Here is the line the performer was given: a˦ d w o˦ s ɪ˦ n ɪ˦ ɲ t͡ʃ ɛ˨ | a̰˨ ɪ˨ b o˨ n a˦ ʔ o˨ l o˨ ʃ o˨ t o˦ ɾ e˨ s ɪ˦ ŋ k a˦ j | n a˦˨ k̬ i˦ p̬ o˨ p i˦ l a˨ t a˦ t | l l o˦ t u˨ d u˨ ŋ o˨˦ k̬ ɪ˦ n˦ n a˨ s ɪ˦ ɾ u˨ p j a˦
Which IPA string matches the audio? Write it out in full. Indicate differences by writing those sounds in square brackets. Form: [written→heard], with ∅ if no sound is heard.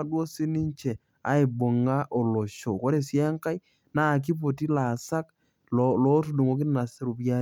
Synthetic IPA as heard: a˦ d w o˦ s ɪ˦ n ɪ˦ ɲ t͡ʃ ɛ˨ | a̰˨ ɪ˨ b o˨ [n→ŋ] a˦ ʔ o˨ l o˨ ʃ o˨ [t→k] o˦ ɾ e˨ s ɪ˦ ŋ k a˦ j | n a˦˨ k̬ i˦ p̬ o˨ [p→t] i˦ l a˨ [t→s] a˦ [t→k] | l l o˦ t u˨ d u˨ ŋ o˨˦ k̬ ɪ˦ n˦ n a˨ s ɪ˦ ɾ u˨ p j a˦